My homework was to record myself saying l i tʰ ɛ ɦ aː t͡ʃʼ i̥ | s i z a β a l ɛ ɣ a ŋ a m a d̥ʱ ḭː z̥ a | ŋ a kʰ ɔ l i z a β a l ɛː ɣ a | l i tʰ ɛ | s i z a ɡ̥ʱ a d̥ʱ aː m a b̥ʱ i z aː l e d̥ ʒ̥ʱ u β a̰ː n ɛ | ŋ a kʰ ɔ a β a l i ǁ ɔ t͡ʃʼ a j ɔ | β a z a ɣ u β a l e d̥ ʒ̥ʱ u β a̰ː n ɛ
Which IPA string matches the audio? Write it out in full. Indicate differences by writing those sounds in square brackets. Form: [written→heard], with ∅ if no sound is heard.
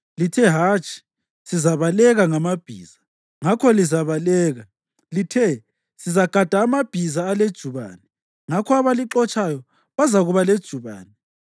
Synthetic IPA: l i tʰ ɛ ɦ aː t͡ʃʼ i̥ | s i z a β a l ɛ ɣ a ŋ a m a [d̥ʱ→b̥ʱ] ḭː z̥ a | ŋ a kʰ ɔ l i z a β a l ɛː ɣ a | l i tʰ ɛ | s i z a ɡ̥ʱ a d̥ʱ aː m a b̥ʱ i z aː l e d̥ ʒ̥ʱ u β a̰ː n ɛ | ŋ a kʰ ɔ a β a l i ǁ ɔ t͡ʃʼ a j ɔ | β a z a ɣ u β a l e d̥ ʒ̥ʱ u β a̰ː n ɛ